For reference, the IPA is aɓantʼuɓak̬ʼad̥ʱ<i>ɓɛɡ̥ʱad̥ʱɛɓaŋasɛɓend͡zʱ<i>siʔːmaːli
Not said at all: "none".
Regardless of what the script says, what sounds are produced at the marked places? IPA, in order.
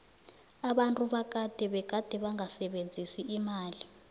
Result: ɛ, i

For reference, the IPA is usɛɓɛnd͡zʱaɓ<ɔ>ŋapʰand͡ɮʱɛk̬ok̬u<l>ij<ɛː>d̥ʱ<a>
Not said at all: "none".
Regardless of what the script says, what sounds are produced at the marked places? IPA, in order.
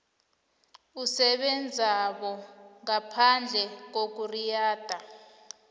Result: ɔ, r, aː, a

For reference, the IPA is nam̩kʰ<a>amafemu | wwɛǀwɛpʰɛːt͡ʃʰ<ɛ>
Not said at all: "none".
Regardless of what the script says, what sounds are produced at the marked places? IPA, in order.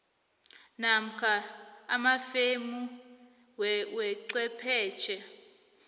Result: a, ɛ

